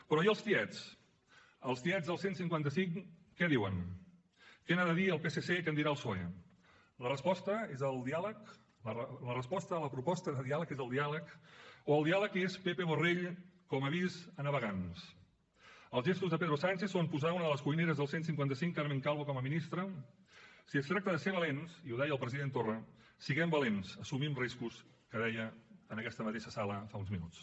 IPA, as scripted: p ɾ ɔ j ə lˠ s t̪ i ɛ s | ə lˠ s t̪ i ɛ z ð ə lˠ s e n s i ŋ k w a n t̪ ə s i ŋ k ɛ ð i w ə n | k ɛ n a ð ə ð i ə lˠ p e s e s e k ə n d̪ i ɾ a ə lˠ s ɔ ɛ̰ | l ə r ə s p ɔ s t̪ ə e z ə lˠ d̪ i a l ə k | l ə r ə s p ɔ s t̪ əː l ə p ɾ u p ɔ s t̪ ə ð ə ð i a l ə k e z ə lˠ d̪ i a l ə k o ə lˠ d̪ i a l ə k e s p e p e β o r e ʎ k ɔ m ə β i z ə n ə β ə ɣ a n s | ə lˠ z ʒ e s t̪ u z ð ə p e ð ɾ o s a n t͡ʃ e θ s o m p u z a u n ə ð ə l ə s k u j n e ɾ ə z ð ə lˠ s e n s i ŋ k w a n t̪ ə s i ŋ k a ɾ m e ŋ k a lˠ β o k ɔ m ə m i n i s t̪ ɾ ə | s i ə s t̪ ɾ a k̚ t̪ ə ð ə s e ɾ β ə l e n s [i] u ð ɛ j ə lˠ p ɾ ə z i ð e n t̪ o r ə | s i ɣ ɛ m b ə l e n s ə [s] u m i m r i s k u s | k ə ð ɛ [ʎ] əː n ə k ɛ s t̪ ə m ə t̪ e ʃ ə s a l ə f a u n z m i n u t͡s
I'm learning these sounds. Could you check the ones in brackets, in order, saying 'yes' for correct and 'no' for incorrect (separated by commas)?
yes, yes, no